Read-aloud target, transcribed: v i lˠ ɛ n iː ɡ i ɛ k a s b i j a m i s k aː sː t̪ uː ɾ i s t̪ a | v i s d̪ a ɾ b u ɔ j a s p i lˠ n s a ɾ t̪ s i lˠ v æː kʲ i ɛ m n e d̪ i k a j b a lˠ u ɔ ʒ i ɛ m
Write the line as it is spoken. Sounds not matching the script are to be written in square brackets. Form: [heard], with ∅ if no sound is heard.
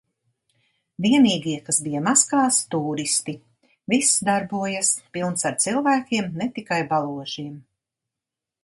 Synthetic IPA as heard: v i [∅] ɛ n iː ɡ i ɛ k a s b i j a m [a] s k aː [s] t̪ uː ɾ i s t̪ [i] | v i s d̪ a ɾ b u ɔ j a s p i lˠ n s a ɾ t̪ s i lˠ v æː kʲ i ɛ m n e [t̪] i k a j b a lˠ u ɔ ʒ i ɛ m